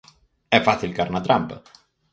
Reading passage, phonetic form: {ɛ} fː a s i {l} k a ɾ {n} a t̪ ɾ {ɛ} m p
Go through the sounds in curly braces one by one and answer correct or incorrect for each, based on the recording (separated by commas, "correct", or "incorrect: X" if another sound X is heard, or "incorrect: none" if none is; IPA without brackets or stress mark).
correct, correct, correct, incorrect: a